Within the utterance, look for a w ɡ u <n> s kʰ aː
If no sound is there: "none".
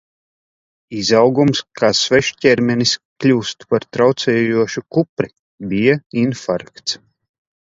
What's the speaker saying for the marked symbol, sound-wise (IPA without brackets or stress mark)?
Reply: m